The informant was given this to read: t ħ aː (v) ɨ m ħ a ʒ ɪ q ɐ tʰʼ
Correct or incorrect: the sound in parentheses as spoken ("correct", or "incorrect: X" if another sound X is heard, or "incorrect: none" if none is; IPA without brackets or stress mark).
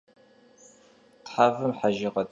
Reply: correct